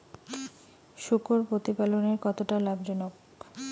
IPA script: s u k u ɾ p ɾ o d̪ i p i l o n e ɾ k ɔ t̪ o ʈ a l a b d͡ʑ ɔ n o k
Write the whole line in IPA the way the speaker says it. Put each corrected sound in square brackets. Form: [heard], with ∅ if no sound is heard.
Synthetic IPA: [ʃ] u k [o] ɾ p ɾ o [t̪] i p [a] l o n e ɾ k ɔ t̪ o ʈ a l a b d͡ʑ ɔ n o k